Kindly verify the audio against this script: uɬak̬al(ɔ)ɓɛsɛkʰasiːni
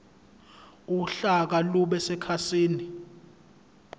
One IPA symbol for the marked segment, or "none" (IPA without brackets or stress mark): u